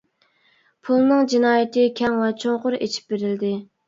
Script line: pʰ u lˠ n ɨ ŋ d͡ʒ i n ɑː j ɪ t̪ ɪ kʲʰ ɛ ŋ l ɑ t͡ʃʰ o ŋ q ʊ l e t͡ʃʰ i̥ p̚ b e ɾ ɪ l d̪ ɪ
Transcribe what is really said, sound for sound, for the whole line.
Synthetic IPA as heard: pʰ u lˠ n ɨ ŋ d͡ʒ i n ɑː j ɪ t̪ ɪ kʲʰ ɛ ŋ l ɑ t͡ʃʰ o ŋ q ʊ ɾ e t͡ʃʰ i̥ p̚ b e ɾ ɪ l d̪ ɪ